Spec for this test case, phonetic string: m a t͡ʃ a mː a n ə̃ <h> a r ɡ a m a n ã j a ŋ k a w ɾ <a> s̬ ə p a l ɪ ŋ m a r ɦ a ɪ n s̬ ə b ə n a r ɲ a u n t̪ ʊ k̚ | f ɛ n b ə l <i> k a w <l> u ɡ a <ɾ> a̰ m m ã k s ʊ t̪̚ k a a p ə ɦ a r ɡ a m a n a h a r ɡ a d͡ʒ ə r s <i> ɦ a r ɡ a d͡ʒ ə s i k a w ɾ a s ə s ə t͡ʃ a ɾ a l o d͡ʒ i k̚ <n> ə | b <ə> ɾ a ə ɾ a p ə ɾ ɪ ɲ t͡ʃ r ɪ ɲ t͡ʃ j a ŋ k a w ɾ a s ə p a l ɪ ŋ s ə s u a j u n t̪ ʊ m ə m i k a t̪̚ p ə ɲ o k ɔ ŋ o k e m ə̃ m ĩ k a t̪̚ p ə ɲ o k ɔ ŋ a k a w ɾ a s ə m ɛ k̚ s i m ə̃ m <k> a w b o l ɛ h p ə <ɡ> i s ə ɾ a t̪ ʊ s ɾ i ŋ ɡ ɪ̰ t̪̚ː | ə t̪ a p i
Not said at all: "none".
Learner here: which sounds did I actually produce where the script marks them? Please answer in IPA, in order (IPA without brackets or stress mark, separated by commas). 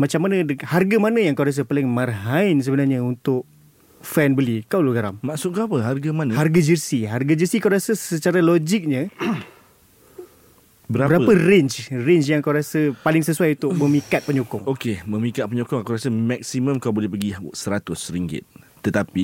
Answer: h, a, i, l, ɾ, i, ɲ, ə, k, ɡ